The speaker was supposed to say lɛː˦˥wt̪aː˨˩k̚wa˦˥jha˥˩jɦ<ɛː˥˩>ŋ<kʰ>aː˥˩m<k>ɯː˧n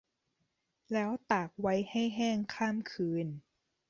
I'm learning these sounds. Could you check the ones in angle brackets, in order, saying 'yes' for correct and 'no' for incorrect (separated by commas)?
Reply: yes, yes, no